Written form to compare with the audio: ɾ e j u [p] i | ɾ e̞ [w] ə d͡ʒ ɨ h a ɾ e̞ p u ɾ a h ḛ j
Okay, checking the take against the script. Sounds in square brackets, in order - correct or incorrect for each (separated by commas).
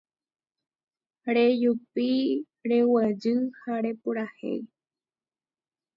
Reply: correct, correct